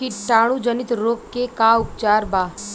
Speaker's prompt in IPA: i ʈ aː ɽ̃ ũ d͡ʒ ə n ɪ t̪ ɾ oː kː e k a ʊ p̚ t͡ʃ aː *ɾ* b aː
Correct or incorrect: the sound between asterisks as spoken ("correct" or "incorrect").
correct